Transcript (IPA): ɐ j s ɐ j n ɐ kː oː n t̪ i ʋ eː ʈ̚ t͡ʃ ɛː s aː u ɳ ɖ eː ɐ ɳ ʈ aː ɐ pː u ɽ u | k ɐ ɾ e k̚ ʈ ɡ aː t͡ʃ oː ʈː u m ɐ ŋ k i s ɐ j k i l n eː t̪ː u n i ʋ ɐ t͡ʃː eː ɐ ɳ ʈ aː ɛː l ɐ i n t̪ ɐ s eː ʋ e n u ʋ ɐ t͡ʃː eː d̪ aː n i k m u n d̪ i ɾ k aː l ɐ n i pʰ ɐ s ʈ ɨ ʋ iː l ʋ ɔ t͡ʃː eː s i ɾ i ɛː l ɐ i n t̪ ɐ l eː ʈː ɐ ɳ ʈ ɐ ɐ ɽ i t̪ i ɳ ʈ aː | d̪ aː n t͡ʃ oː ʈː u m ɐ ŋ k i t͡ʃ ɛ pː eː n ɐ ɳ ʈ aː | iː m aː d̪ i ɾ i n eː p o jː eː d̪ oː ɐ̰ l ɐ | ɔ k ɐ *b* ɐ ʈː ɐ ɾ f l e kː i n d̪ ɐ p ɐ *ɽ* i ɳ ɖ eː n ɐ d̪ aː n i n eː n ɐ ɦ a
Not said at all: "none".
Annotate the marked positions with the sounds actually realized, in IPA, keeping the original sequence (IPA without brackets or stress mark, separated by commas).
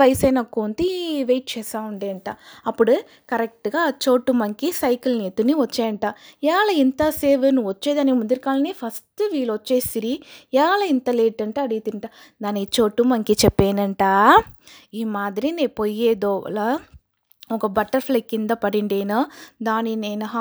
b, ɽ